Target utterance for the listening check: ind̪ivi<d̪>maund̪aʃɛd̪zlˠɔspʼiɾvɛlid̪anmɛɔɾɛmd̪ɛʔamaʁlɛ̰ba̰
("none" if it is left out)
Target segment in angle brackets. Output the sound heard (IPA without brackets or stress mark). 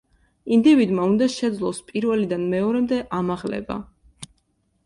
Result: d̪